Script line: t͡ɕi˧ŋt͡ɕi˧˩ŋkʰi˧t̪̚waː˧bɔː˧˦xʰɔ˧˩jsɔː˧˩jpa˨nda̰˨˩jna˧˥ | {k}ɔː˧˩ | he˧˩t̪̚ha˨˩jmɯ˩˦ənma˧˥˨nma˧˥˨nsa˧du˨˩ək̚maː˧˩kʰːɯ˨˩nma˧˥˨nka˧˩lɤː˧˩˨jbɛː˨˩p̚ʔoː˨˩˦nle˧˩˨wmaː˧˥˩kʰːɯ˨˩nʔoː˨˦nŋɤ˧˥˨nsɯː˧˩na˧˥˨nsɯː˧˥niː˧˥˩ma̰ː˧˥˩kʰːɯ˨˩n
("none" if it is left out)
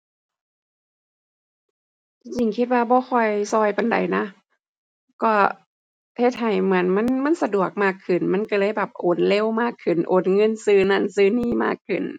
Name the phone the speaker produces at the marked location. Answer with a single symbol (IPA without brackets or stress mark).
k